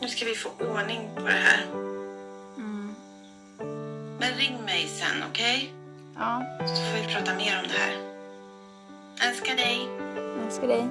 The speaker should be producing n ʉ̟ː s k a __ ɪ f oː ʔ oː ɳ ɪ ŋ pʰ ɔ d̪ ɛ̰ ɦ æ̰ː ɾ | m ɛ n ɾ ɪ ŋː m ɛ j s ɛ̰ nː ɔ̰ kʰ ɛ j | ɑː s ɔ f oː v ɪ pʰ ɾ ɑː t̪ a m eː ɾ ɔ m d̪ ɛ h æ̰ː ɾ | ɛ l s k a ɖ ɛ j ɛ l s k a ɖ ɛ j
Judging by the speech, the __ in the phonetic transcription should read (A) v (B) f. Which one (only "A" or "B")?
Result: A